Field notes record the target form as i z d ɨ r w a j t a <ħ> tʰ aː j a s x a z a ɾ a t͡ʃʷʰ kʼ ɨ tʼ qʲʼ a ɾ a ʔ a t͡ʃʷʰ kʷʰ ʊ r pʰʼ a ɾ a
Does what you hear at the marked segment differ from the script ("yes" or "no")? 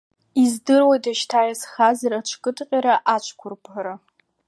yes